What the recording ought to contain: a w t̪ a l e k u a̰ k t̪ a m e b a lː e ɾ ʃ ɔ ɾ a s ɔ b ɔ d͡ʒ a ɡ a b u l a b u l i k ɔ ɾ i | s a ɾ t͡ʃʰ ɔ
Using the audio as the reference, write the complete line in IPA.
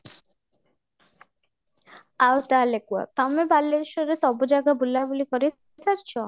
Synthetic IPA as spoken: a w t̪ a l e k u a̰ t̪ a m e b a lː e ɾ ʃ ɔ ɾ e s ɔ b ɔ d͡ʒ a ɡ a b u l a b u l i k ɔ ɾ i | s a ɾ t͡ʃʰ ɔ